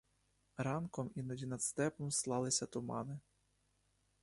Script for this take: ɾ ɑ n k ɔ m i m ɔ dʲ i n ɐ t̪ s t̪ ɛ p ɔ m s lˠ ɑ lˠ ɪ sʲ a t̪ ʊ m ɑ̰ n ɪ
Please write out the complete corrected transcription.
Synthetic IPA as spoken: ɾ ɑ n k ɔ m i n ɔ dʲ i n ɐ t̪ s t̪ ɛ p ɔ m s lˠ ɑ lˠ ɪ sʲ ɐ t̪ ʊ m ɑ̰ n ɪ